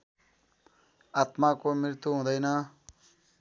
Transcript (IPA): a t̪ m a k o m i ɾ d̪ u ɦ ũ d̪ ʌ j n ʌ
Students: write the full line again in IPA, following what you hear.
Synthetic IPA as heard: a t̪ m a k o m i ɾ t̪ u ɦ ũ d̪ ʌ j n ʌ